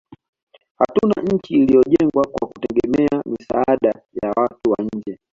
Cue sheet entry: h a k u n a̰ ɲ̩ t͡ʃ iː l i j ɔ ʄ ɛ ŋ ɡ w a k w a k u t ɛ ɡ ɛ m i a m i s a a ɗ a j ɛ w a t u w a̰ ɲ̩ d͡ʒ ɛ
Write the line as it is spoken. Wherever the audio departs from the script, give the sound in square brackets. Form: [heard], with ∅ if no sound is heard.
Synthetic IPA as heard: h a [t] u n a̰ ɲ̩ t͡ʃ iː l i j ɔ ʄ ɛ ŋ ɡ w a k w a k u t ɛ ɡ ɛ m [ɛ] a m i s a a ɗ a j [a] w a t u w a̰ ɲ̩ d͡ʒ ɛ